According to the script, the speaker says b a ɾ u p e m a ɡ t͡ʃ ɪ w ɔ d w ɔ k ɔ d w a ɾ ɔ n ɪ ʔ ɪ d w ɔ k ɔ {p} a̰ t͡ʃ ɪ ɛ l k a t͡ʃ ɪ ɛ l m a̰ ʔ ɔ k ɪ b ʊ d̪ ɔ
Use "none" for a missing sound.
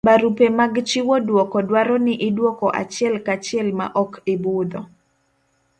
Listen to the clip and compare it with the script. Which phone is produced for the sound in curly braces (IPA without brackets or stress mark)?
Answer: ʔ